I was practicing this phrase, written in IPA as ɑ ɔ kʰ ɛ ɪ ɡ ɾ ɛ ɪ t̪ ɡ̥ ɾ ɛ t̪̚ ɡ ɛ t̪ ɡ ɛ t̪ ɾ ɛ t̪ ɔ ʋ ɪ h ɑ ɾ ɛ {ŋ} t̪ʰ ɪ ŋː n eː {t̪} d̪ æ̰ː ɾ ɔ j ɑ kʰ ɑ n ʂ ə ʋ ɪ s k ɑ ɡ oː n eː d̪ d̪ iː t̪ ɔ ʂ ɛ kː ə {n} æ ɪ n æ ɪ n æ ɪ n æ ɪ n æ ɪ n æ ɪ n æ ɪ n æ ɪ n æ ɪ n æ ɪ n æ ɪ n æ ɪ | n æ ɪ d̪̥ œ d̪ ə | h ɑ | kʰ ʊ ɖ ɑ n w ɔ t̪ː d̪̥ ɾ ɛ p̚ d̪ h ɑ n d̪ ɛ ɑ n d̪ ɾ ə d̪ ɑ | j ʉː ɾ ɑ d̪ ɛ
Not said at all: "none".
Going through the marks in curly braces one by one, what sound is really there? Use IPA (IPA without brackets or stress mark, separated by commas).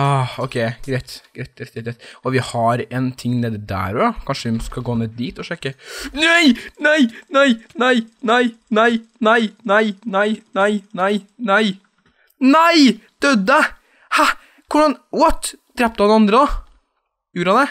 n, d̪, n